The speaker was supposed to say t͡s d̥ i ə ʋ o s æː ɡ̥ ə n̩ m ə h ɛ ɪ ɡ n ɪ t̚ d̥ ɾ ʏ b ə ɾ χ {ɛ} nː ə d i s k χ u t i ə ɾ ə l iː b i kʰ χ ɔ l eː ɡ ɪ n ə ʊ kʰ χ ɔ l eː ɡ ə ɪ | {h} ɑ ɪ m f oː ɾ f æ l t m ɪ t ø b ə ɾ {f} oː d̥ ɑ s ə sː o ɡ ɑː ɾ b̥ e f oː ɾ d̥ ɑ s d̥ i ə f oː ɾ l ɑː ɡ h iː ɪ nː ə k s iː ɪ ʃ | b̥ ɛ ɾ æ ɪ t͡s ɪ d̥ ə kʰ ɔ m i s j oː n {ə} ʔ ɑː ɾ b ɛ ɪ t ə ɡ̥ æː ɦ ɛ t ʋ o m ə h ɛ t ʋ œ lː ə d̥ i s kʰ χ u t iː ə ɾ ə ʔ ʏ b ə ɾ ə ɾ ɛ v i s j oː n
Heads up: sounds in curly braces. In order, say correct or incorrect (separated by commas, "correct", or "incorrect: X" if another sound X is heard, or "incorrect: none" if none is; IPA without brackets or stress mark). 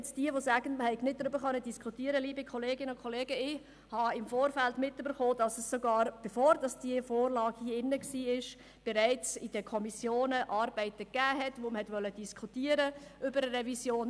incorrect: œ, correct, incorrect: χ, correct